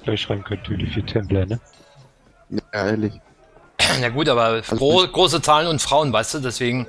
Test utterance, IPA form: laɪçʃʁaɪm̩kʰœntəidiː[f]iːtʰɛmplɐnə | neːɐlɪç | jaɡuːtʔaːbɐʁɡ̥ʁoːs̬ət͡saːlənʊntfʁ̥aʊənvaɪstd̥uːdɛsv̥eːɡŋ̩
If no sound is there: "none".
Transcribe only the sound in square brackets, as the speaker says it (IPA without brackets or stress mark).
f